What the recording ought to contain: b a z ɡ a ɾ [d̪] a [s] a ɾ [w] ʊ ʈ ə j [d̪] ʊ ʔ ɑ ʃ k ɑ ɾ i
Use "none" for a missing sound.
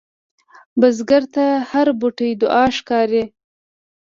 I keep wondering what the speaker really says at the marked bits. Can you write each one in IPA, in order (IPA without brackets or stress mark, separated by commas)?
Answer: t̪, h, b, d̪